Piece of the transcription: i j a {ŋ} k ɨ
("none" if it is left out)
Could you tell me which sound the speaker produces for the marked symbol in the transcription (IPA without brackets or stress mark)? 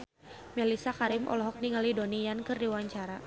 n